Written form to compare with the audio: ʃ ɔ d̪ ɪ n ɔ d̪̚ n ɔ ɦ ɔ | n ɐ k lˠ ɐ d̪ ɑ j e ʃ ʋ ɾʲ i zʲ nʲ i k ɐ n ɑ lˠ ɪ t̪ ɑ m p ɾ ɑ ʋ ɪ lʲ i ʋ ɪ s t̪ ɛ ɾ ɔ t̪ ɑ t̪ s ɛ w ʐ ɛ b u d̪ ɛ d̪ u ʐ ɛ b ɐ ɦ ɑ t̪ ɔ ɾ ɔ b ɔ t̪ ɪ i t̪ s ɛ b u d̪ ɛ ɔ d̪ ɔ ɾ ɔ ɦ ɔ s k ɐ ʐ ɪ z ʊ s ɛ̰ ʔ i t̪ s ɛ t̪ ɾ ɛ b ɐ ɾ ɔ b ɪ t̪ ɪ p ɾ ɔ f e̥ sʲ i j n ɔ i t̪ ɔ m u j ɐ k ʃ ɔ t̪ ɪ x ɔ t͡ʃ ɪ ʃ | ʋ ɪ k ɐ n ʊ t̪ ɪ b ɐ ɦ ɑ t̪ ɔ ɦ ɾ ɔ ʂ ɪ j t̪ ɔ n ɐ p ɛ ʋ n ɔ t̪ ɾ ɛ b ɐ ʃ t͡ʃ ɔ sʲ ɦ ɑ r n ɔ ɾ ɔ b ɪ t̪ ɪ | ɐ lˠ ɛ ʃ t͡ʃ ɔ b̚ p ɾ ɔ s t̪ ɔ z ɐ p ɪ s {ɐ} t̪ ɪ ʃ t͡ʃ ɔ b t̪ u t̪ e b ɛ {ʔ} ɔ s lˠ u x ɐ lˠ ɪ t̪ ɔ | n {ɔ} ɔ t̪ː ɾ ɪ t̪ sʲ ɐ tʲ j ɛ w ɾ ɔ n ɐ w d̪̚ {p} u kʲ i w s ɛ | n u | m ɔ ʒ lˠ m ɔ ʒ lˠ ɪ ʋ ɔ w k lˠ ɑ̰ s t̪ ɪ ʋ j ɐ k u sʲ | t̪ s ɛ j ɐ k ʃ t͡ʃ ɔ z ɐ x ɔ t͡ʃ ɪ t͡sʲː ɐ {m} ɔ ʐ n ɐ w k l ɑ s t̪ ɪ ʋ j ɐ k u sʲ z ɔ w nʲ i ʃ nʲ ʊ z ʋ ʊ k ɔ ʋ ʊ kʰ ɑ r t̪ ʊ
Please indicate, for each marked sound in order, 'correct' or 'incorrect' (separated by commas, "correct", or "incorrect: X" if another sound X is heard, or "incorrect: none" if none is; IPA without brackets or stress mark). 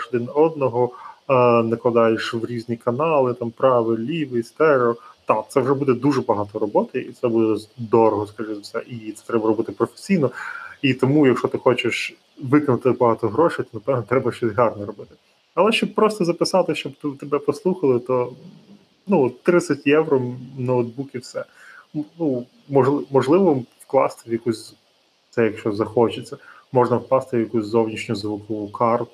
incorrect: ɑ, incorrect: p, incorrect: u, incorrect: b, correct